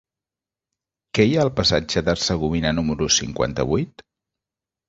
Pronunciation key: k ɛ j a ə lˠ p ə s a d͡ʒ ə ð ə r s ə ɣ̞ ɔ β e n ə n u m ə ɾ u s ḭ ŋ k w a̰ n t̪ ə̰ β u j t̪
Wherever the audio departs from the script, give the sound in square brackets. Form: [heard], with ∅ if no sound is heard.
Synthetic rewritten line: k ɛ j a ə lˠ p ə s a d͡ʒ ə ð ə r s ə ɣ̞ [u] β [i] n ə n u m ə ɾ u s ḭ ŋ k w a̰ n t̪ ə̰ β u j t̪